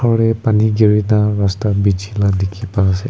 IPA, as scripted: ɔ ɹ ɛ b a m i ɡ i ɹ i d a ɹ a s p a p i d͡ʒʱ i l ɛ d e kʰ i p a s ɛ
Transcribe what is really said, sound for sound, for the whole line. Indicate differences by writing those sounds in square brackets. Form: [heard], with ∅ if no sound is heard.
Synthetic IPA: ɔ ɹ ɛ [p] a [n] i ɡ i ɹ i [n] a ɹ a s [t] a [b] i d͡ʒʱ i l [a] d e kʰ i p a s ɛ